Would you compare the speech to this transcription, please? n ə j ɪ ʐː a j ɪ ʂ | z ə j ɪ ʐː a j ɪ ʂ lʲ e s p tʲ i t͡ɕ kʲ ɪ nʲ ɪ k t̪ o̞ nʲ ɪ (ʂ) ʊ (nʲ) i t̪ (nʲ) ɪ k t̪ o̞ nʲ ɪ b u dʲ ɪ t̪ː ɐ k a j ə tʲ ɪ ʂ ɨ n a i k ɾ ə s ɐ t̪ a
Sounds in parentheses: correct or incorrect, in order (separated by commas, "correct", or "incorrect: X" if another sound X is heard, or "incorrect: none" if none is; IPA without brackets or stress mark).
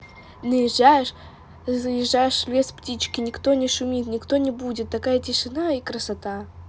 correct, incorrect: mʲ, correct